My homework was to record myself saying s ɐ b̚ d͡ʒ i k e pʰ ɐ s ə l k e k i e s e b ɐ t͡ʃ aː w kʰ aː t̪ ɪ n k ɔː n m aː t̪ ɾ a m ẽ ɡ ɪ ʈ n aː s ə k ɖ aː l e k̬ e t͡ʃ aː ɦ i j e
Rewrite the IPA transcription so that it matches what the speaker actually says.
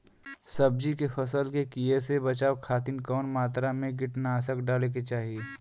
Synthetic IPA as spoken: s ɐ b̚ d͡ʒ i k e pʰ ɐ s ə l k e k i e s e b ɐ t͡ʃ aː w kʰ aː t̪ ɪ n k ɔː n m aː t̪ ɾ a m ẽ ɡ ɪ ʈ n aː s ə k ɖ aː l e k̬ e t͡ʃ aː ɦ i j e